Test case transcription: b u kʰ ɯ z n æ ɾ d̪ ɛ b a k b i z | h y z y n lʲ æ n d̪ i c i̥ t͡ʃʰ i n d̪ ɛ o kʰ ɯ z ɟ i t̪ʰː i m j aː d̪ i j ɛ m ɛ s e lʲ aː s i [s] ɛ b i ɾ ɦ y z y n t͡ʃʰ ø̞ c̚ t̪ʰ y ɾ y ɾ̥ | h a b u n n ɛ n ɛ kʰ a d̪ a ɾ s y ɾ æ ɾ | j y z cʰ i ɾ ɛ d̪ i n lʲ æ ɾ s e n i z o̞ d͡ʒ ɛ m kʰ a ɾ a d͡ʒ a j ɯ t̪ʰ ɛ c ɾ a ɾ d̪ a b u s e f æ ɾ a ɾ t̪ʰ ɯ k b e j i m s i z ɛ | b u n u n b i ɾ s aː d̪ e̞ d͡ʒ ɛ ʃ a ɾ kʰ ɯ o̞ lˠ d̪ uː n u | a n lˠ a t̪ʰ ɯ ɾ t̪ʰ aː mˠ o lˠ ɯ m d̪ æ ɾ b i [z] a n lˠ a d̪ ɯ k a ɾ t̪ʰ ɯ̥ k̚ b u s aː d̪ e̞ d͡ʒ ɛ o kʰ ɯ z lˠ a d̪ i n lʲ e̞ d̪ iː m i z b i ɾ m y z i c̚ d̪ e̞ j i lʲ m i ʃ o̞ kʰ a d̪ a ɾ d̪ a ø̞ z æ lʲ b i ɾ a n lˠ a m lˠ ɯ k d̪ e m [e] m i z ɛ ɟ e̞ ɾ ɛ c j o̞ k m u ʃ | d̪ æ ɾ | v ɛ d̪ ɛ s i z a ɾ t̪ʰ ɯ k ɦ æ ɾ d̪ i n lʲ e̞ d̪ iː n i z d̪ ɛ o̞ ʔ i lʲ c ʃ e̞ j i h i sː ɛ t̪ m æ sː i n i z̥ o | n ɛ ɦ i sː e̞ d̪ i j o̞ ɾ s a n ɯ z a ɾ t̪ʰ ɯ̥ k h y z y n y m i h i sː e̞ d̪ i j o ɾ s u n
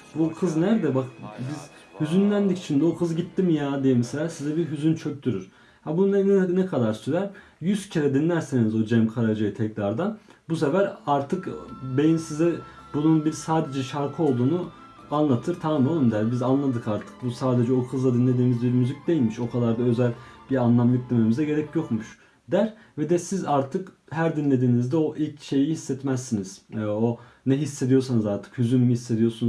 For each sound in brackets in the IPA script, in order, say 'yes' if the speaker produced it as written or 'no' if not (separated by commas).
no, yes, yes